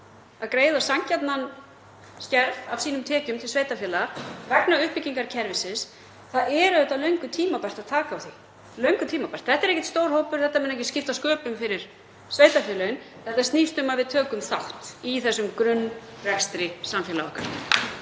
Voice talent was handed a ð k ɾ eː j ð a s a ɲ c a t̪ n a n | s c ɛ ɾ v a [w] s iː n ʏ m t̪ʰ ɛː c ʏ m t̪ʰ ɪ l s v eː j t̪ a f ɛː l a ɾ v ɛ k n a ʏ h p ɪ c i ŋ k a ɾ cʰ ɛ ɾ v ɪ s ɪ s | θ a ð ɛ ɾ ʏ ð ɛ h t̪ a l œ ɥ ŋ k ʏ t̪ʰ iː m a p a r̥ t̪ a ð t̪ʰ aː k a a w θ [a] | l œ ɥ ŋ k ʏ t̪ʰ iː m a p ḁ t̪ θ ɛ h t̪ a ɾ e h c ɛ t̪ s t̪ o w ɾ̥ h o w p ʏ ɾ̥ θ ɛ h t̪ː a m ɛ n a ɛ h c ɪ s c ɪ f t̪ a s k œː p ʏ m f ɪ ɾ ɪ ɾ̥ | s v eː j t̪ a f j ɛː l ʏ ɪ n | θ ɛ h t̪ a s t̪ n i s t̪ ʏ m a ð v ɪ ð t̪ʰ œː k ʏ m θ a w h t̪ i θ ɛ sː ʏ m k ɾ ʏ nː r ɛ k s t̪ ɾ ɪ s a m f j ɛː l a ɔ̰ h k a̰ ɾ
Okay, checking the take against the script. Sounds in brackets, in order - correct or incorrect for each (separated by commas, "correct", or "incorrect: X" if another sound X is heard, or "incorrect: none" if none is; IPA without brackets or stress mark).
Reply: incorrect: v, incorrect: i